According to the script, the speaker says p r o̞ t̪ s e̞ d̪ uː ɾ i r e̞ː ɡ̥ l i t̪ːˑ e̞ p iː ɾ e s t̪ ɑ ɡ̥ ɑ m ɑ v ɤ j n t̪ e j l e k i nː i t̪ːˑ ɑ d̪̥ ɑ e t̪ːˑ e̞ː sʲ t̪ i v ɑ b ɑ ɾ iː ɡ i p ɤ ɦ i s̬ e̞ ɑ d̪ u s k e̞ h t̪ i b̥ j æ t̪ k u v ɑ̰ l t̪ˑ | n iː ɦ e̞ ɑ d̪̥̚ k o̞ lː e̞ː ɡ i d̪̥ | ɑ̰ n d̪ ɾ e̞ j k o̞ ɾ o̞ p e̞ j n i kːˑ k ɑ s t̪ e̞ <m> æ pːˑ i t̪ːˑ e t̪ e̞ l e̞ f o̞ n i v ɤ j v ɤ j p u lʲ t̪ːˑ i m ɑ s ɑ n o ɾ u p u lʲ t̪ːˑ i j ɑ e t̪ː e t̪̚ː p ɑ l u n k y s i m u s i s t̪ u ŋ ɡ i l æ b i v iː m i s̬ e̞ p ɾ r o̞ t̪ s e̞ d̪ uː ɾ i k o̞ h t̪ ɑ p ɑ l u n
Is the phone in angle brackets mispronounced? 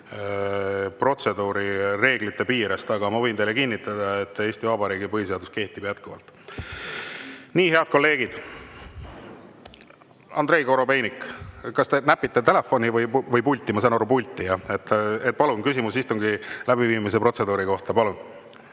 yes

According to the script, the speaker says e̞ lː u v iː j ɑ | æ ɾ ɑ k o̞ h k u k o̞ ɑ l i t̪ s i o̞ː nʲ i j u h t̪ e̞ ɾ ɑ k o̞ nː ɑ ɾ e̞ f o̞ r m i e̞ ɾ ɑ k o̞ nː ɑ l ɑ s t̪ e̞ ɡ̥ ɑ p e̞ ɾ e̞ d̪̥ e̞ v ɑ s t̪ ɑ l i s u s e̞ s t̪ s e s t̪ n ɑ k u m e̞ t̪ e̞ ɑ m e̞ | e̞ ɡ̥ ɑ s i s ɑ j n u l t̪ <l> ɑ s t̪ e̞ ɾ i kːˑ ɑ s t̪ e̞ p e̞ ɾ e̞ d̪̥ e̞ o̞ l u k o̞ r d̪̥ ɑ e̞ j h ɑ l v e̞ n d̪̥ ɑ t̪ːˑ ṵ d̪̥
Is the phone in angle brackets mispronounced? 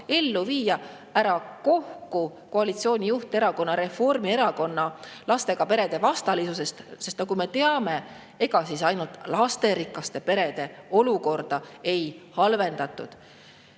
no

